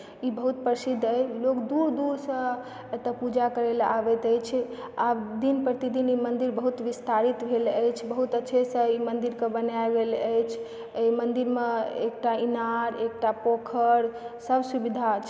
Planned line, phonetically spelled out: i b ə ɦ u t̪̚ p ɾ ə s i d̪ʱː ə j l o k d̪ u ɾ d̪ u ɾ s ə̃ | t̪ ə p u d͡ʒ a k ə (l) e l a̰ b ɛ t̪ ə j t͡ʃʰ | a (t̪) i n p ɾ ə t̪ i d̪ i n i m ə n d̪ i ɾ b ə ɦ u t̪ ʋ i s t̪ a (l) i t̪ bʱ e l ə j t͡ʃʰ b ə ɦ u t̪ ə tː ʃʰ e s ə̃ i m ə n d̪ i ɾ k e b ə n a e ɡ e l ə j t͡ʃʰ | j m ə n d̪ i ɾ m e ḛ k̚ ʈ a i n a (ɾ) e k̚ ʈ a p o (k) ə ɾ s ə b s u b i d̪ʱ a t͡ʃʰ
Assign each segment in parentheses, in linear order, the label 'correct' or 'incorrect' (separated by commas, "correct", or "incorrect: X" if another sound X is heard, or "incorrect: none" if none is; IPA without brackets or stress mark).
incorrect: ɾ, incorrect: d̪, incorrect: ɾ, correct, incorrect: kʰ